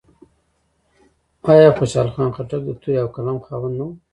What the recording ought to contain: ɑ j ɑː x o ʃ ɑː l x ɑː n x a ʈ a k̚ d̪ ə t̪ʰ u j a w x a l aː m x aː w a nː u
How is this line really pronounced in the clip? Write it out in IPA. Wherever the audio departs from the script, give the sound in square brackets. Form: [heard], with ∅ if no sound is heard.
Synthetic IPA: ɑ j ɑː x o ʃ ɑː l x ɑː n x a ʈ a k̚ d̪ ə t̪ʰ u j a w [k] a l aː m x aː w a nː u